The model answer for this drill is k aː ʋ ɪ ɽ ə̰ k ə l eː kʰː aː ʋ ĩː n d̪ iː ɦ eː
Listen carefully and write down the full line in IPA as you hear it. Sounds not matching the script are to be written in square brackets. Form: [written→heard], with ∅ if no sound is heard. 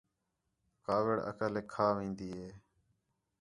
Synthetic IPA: k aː ʋ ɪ ɽ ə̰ k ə l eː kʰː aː ʋ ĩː n d̪ iː ɦ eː